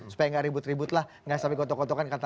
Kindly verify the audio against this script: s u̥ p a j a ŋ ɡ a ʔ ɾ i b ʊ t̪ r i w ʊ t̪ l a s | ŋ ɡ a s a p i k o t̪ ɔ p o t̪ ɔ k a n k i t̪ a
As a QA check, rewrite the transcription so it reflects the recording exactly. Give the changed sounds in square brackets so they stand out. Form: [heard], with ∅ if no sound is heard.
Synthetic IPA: s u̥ p a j a ŋ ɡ a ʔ ɾ i b ʊ t̪ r i [b] ʊ t̪ l a [h] | ŋ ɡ a s a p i k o t̪ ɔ [k] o t̪ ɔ k a n k [a] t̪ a